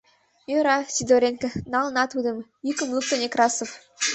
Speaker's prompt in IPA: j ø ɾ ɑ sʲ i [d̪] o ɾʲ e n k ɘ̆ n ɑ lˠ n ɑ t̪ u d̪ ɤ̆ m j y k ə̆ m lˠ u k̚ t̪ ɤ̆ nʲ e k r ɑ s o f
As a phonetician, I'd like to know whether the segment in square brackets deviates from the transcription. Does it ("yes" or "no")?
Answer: no